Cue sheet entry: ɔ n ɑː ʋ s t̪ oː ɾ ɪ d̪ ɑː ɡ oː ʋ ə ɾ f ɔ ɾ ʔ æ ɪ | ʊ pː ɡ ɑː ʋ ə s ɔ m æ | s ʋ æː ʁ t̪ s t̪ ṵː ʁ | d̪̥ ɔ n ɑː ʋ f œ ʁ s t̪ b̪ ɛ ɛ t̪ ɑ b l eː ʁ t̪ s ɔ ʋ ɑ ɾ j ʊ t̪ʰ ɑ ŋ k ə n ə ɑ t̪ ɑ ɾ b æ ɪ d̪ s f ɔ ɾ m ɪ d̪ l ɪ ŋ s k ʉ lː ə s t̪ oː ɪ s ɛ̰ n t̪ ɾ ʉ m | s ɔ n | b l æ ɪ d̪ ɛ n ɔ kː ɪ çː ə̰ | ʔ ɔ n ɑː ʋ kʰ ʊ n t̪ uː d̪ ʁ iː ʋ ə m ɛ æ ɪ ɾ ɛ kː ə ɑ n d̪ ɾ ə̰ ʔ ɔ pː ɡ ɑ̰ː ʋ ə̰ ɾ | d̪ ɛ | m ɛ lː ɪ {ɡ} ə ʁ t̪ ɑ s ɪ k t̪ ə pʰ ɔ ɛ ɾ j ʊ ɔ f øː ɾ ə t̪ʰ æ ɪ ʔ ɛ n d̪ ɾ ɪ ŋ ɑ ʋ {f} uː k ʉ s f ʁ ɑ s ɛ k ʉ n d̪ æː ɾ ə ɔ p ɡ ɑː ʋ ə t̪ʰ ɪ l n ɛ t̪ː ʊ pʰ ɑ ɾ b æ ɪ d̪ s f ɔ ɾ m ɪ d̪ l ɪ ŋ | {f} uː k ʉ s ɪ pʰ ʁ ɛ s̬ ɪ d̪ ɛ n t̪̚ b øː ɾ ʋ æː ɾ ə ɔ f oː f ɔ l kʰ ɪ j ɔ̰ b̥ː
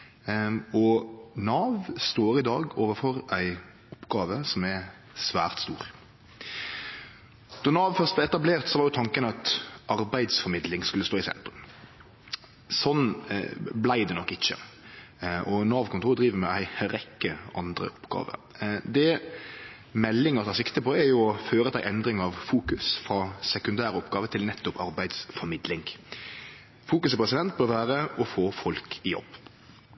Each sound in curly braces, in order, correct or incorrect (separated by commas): incorrect, correct, correct